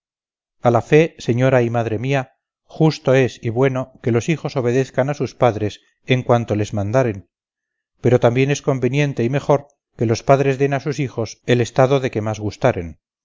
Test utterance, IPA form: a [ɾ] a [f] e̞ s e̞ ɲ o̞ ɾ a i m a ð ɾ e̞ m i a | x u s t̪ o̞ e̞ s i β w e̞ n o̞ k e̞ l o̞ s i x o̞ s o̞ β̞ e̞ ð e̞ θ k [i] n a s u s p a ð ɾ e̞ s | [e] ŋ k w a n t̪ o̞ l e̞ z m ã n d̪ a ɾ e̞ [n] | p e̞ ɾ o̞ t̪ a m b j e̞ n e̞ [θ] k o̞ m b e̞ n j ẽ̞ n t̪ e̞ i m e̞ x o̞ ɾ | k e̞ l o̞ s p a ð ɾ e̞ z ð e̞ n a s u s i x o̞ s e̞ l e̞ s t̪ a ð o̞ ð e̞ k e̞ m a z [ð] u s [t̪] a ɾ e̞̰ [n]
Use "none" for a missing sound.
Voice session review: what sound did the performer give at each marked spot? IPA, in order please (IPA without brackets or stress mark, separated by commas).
l, f, a, e, n, s, ɣ, t̪, n